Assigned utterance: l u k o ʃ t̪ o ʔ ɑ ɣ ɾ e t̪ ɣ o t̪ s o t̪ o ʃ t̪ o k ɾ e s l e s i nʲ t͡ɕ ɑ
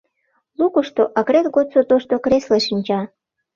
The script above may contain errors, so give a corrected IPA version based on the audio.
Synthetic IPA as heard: l u k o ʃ t̪ o ʔ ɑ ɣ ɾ e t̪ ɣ o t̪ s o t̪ o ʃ t̪ o k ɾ e s l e ʃ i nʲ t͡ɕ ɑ